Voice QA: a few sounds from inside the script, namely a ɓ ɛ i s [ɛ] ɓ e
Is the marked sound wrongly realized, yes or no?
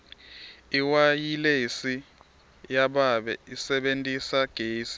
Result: no